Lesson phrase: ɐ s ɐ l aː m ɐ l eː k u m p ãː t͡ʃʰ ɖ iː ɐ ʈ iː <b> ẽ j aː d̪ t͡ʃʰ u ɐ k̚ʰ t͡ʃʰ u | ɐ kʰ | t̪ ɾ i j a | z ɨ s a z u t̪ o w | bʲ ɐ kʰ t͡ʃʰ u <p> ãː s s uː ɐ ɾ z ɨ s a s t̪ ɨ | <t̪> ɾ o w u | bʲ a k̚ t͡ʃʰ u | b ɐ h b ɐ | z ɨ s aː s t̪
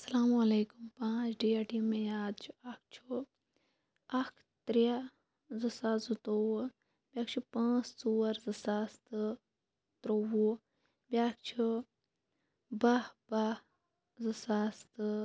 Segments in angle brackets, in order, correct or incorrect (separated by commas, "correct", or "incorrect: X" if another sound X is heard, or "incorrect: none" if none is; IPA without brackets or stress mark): incorrect: m, correct, correct